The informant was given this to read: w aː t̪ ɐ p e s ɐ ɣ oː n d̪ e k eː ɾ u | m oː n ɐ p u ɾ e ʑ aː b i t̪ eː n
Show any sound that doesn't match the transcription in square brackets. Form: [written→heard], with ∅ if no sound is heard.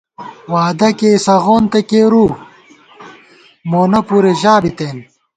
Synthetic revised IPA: w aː [t̪→d̪] ɐ [p→k] e s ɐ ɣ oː n [d̪→t̪] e k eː ɾ u | m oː n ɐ p u ɾ e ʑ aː b i t̪ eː n